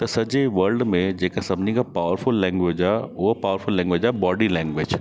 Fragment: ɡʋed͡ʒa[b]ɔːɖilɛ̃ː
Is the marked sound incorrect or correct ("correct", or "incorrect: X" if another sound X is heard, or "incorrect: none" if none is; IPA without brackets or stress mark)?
correct